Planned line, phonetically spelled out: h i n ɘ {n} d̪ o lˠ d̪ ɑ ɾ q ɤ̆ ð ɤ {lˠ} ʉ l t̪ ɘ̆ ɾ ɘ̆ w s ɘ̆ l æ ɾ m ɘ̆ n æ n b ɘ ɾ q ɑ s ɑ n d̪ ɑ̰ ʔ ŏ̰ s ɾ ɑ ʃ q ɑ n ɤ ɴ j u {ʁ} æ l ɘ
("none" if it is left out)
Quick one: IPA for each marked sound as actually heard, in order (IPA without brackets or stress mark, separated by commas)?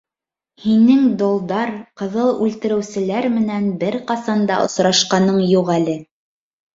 ŋ, lˠ, ʁ